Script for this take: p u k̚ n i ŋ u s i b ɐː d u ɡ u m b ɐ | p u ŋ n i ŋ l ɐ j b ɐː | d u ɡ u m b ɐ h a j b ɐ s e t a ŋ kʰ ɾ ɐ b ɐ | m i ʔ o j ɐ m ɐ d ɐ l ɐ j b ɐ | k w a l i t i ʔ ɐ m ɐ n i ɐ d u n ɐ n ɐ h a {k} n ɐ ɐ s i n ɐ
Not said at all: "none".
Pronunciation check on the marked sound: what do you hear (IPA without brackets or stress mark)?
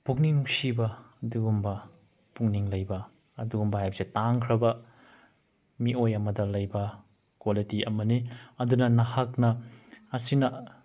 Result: k